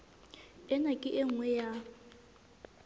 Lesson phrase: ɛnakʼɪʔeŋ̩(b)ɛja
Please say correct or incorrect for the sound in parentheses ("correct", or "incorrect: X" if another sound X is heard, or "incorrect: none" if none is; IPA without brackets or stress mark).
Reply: incorrect: w